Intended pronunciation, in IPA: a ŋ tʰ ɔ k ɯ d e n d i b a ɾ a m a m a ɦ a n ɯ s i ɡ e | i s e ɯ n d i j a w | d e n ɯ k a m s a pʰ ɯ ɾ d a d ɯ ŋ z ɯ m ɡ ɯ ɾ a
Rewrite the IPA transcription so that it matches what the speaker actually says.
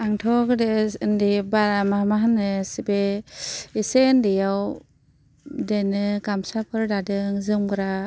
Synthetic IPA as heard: a ŋ tʰ ɔ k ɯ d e n d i b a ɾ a m a m a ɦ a n ɯ s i b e | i s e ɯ n d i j a w | d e n ɯ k a m s a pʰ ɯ ɾ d a d ɯ ŋ z ɯ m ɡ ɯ ɾ a